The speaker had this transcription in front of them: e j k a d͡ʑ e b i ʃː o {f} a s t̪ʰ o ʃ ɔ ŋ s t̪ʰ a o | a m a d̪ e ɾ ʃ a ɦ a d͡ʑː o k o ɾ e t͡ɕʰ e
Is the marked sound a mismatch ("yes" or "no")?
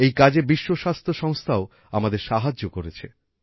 yes